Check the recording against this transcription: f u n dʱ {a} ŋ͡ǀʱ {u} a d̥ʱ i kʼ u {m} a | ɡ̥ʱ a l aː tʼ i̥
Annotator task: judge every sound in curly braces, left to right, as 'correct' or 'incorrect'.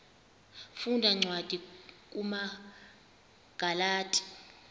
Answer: correct, incorrect: w, correct

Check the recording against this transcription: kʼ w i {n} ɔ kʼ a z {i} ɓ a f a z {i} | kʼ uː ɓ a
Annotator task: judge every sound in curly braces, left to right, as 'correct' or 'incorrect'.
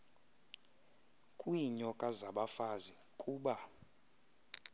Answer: incorrect: ɲ, incorrect: a, correct

